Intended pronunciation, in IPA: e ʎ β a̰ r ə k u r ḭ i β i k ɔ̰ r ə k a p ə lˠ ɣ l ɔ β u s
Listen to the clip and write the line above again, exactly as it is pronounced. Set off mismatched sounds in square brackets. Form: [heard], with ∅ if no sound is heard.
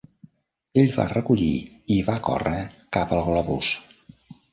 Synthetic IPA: e ʎ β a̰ r ə k u [ʎ] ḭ i β [a] k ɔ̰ r ə k a p ə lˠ ɣ l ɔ β u s